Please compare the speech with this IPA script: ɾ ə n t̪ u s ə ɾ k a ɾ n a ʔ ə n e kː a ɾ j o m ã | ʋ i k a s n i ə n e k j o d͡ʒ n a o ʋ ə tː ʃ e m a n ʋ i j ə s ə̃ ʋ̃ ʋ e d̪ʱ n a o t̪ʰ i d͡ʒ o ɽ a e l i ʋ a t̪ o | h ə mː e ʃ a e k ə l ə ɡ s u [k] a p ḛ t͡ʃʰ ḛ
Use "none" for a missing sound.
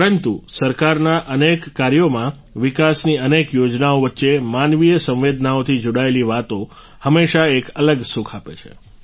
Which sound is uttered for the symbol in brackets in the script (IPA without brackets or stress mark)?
kʰ